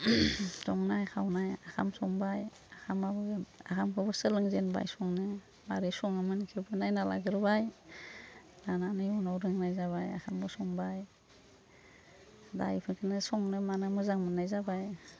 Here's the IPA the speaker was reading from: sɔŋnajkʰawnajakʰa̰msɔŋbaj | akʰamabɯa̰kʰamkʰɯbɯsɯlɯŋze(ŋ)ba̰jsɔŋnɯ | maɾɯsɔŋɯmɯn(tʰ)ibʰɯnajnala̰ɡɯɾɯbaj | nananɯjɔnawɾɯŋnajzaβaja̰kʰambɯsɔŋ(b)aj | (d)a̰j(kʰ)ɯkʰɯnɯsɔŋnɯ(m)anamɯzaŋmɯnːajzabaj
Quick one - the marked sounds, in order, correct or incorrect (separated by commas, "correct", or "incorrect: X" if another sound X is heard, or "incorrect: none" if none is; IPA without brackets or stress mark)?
incorrect: n, incorrect: kʰ, correct, correct, incorrect: pʰ, correct